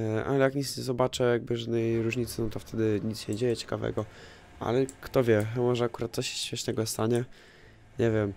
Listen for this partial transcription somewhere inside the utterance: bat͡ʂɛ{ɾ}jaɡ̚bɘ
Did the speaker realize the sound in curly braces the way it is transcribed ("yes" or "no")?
no